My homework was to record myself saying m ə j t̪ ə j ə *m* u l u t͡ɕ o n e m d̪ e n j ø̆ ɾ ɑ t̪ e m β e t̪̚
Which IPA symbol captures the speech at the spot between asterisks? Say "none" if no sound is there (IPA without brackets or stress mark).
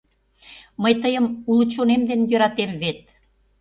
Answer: m